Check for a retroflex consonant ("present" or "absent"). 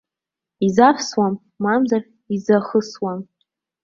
absent